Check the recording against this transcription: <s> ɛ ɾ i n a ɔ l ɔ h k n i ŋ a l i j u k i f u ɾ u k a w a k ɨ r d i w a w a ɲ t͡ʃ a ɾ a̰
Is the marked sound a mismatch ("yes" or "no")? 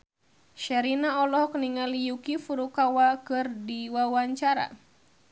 yes